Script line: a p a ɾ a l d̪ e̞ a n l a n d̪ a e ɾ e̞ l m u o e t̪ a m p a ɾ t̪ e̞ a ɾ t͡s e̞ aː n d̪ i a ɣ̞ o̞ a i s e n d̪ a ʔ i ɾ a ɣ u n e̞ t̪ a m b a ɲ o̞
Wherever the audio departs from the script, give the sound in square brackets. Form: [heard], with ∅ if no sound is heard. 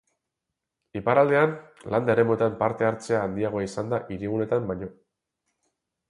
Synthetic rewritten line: [i] p a ɾ a l d̪ e̞ a n l a n d̪ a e ɾ e̞ [∅] m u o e t̪ a m p a ɾ t̪ e̞ a ɾ t͡s e̞ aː n d̪ i a ɣ̞ o̞ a i s [a] n d̪ a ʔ i ɾ [i] ɣ u n e̞ t̪ a m b a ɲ o̞

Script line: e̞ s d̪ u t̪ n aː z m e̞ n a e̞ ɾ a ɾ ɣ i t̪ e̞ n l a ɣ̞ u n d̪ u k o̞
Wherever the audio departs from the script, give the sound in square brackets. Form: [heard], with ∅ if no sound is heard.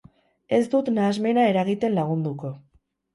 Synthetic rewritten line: e̞ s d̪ u t̪ n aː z m e̞ n a e̞ ɾ a [∅] ɣ i t̪ e̞ n l a ɣ̞ u n d̪ u k o̞

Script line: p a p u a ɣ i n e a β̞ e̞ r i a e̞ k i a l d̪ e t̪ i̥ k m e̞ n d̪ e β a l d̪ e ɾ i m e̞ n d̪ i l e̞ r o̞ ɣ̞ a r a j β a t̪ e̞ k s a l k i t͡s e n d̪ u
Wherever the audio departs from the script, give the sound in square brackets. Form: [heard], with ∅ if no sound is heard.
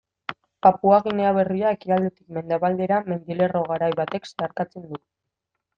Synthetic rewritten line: p a p u a ɣ i n e a β̞ e̞ r i a e̞ k i a l d̪ e t̪ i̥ k m e̞ n d̪ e β a l d̪ e ɾ [a] m e̞ n d̪ i l e̞ r o̞ ɣ̞ a [ɾ] a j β a t̪ e̞ k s a [ɾ] k [a] t͡s e n d̪ u

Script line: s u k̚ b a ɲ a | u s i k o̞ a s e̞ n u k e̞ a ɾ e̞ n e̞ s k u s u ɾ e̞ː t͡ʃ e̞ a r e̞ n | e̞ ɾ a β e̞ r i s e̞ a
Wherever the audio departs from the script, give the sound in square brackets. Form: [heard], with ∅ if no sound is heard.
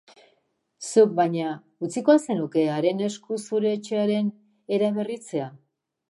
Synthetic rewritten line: s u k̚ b a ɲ a | u [t͡s] i k o̞ a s e̞ n u k e̞ a ɾ e̞ n e̞ s k u s u ɾ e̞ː t͡ʃ e̞ a [ɾ] e̞ n | e̞ ɾ a β e̞ r i [t͡s] e̞ a

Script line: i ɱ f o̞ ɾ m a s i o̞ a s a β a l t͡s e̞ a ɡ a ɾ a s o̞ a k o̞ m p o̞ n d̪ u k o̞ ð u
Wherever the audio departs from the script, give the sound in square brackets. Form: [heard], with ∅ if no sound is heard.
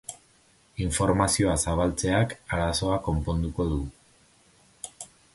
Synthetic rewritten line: i ɱ f o̞ ɾ m a s i o̞ a s a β a l t͡s e̞ a [k] a ɾ a s o̞ a k o̞ m p o̞ n d̪ u k o̞ ð u

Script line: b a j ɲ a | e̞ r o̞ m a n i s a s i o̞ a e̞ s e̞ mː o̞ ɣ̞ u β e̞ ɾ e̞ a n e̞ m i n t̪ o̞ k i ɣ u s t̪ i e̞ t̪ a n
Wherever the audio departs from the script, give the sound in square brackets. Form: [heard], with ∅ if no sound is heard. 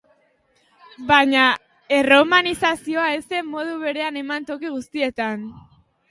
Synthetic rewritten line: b a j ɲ a | e̞ r o̞ m a n i s a s i o̞ a e̞ s e̞ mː o̞ [ð̞] u β e̞ ɾ e̞ a n e̞ m [a] n t̪ o̞ k i ɣ u s t̪ i e̞ t̪ a n

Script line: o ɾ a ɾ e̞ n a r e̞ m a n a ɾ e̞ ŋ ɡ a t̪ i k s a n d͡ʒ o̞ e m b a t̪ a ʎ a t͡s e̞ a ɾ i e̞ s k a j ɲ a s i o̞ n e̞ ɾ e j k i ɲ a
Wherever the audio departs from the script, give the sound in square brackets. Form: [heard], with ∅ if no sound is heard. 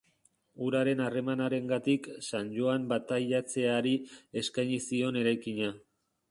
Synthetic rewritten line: [u] ɾ a ɾ e̞ n a r e̞ m a n a ɾ e̞ ŋ ɡ a t̪ i k s a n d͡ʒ o̞ [a] m b a t̪ a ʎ a t͡s e̞ a ɾ i e̞ s k a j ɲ [i] s i o̞ n e̞ ɾ [a] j k i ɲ a

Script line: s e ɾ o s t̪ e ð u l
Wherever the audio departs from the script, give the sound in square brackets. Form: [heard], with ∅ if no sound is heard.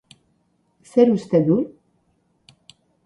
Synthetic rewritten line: s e ɾ [u] s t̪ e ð u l

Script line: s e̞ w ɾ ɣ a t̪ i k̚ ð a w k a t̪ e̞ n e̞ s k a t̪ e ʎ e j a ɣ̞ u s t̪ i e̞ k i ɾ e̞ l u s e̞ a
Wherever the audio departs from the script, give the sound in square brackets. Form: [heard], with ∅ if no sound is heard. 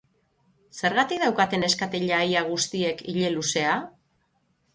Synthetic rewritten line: s e̞ [∅] ɾ ɣ a t̪ i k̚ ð a w k a t̪ e̞ n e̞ s k a t̪ e ʎ [a] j a ɣ̞ u s t̪ i e̞ k i [ʎ] e̞ l u s e̞ a

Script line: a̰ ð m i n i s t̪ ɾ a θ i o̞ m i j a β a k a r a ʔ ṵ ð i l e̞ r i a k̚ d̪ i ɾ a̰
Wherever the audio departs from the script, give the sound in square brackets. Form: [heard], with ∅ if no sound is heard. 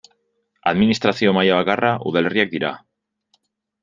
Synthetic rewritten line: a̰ ð m i n i s t̪ ɾ a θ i o̞ m [a] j a β a k a r a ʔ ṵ ð [a] l e̞ r i a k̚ d̪ i ɾ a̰

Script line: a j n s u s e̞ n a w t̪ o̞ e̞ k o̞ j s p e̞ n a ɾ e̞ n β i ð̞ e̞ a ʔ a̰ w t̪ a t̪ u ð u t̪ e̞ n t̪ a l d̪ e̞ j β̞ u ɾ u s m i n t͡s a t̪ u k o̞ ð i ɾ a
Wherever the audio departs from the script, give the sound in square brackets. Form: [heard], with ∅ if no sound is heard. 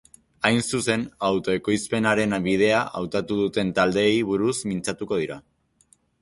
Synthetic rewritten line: a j n s u s e̞ n a w t̪ o̞ e̞ k o̞ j s p e̞ n a ɾ e̞ n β i ð̞ e̞ a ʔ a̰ w t̪ a t̪ u ð u t̪ e̞ n t̪ a l d̪ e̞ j β̞ u ɾ u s m i n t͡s a t̪ u k o̞ ð i ɾ a

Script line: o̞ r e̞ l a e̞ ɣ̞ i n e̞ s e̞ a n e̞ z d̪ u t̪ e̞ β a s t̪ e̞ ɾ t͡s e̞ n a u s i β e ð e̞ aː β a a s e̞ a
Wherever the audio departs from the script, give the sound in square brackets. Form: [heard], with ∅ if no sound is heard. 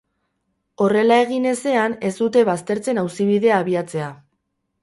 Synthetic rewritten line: o̞ r e̞ l a e̞ ɣ̞ i n e̞ s e̞ a n e̞ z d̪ u t̪ e̞ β a s t̪ e̞ ɾ t͡s e̞ n a [w] s i β [i] ð e̞ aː β [i] a [t͡s] e̞ a

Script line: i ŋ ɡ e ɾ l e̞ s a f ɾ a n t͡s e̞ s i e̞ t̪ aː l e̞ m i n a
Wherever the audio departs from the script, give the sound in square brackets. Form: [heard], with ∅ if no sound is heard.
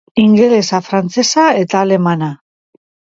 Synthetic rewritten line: i ŋ ɡ e [∅] l e̞ s a f ɾ a n t͡s e̞ s [a] e̞ t̪ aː l e̞ m [a] n a

